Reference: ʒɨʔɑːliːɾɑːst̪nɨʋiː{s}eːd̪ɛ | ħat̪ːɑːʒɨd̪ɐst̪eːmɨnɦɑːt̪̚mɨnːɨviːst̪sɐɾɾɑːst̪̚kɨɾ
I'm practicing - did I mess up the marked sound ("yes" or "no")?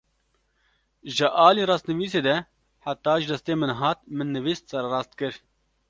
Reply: no